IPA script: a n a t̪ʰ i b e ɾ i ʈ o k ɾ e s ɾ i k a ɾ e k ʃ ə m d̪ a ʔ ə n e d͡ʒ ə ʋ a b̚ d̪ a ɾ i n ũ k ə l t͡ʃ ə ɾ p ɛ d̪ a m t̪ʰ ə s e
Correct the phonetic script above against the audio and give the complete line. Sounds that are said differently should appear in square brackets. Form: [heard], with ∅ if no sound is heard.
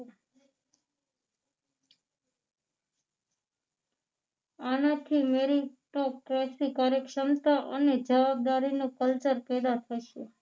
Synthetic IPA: a n a t̪ʰ i [m] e ɾ i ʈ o k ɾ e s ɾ i k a ɾ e k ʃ ə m [t̪] a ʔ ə n e d͡ʒ ə ʋ a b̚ d̪ a ɾ i n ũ k ə l t͡ʃ ə ɾ p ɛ d̪ a [∅] t̪ʰ ə [ʃ] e